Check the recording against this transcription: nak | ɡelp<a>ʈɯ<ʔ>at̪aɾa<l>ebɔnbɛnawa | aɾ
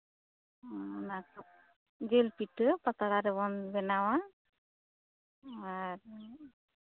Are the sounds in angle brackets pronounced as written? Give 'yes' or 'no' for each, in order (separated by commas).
no, no, no